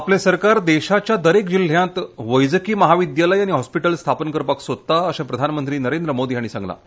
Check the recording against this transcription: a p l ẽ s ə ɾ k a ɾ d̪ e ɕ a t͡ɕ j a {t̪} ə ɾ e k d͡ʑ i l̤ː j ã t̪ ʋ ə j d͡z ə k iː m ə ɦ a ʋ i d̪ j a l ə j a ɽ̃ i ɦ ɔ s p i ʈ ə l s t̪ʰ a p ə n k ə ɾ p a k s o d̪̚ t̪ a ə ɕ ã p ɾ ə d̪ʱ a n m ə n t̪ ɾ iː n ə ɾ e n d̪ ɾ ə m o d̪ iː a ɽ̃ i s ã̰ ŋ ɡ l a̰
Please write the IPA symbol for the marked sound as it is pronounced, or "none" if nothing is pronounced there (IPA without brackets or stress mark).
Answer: d̪